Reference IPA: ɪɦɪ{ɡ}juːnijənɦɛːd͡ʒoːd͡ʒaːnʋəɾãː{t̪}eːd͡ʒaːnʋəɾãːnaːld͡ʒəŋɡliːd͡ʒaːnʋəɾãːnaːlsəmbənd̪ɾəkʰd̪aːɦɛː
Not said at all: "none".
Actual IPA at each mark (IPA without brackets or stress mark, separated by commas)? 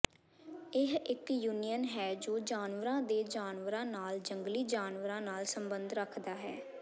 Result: k, d̪